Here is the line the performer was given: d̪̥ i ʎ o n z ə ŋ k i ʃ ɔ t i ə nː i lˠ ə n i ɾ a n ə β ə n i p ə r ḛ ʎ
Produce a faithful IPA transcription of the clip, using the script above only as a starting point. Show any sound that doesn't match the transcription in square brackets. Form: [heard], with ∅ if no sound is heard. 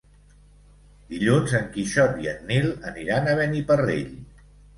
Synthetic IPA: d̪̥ i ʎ [u] n z ə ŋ k i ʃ ɔ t i ə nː i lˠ ə n i ɾ a n ə β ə n i p ə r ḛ ʎ

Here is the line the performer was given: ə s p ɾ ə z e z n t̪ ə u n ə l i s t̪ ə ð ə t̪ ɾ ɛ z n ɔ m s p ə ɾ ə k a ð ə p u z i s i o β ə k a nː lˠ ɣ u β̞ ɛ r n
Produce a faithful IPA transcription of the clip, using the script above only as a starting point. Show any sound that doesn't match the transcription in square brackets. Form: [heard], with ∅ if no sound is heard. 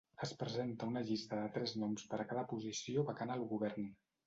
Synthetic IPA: ə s p ɾ ə z e [∅] n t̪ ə u n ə [ʎ] i s t̪ ə ð ə t̪ ɾ ɛ z n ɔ m s p ə ɾ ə k a ð ə p u z i s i o β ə k a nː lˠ ɣ u β̞ ɛ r n

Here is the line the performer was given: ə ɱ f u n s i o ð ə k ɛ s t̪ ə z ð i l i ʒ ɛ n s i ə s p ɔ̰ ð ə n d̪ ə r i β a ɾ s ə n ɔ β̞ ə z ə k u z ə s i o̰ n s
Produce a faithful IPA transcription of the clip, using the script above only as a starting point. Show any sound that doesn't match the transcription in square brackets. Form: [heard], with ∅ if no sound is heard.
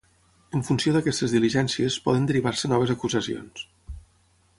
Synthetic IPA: ə ɱ f u n s i o ð ə k ɛ s t̪ ə z ð i l i ʒ ɛ n s i ə s p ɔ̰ ð ə n d̪ ə [ɾ] i β a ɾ s ə n ɔ β̞ ə z ə k u z ə s i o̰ n s

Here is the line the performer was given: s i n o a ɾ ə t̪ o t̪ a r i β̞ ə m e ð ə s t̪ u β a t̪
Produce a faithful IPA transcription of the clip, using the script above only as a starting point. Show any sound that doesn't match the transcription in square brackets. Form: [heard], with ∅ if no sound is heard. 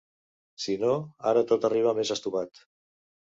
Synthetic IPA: s i n o a ɾ ə t̪ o t̪ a r i β̞ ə m e [z] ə s t̪ u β a t̪

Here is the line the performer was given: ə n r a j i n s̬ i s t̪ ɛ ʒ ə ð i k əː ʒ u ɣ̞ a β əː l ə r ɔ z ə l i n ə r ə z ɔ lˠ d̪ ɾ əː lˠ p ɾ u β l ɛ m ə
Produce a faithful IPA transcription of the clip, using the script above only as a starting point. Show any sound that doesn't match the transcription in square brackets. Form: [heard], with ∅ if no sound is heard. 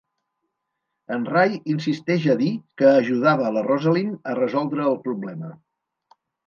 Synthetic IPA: ə n r a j i n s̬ i s t̪ ɛ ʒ ə ð i k əː ʒ u [ð̞] a β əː l ə r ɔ z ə l i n ə r ə z ɔ lˠ d̪ ɾ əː lˠ p ɾ u β l ɛ m ə

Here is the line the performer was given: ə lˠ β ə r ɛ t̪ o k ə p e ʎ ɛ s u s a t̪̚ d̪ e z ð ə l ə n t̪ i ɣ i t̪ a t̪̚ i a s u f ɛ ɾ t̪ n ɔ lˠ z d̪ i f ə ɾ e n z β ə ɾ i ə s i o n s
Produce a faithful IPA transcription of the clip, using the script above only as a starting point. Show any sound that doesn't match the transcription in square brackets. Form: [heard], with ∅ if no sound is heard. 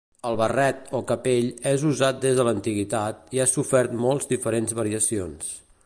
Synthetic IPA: ə lˠ β ə r ɛ t̪ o k ə p e ʎ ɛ [z] u [z] a t̪̚ d̪ e z ð ə l ə n t̪ i ɣ i t̪ a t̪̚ i a s u f ɛ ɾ t̪ [m] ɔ lˠ z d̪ i f ə ɾ e n z β ə ɾ i ə s i o n s

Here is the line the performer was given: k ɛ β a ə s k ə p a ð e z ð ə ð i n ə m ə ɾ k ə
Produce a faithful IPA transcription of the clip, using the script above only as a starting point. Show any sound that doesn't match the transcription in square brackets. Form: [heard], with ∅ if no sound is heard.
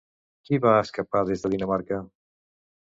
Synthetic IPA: k [i] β a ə s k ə p a ð e z ð ə ð i n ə m [a] ɾ k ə

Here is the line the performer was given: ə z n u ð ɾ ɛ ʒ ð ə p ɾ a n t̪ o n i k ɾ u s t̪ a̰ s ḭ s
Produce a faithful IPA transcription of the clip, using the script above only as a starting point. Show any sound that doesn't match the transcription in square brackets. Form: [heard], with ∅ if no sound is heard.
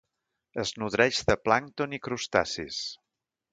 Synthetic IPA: ə z n u ð ɾ ɛ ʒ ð ə p [l] a [ŋ] t̪ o n i k ɾ u s t̪ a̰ s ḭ s

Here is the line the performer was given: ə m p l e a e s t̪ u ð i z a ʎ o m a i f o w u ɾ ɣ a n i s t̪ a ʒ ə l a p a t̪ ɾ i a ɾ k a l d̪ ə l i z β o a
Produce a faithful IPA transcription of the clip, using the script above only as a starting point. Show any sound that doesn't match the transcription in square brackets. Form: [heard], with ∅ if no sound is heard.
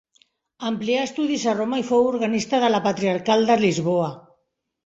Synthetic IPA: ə m p l [i] a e s t̪ u ð i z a [r] o m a i f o w u ɾ ɣ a n i s t̪ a [ð] ə l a p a t̪ ɾ i a ɾ k a l d̪ ə l i z β o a

